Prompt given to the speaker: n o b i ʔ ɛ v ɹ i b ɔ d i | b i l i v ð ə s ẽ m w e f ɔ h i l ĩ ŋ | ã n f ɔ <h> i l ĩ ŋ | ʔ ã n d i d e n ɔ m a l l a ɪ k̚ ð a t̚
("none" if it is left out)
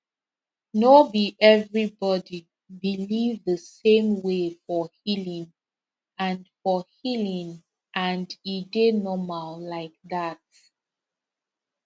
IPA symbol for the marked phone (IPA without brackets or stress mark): h